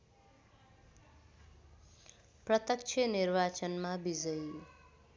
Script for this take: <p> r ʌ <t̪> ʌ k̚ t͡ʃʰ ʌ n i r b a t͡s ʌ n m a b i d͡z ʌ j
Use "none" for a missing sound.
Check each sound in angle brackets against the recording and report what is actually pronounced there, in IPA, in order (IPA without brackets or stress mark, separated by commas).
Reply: p, t̪